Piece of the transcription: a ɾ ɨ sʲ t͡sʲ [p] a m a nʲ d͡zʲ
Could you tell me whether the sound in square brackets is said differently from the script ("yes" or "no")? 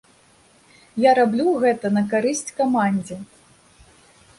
yes